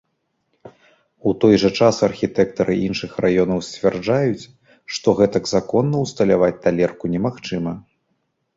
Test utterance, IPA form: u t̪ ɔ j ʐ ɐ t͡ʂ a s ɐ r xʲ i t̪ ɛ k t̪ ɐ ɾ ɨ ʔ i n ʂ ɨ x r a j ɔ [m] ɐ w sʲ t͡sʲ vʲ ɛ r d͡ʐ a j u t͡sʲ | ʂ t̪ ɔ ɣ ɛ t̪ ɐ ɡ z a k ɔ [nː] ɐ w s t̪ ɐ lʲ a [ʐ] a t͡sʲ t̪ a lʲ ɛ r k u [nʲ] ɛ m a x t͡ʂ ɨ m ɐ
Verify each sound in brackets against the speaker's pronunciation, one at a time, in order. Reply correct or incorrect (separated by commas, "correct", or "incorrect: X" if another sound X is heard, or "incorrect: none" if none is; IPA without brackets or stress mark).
incorrect: n, correct, incorrect: v, correct